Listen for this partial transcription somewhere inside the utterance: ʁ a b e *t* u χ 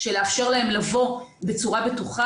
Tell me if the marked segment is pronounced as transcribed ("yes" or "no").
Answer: yes